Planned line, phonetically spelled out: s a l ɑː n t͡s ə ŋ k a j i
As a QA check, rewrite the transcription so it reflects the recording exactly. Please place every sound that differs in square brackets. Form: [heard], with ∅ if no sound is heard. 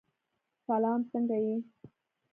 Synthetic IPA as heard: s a l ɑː [m] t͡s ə ŋ [ɡ] a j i